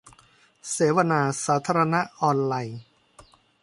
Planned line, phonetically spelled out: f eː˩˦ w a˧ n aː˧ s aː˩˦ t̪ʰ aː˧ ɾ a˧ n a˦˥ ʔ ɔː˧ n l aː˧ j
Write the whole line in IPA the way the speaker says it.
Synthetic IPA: s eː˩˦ w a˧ n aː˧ s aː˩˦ t̪ʰ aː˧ ɾ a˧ n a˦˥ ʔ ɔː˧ n l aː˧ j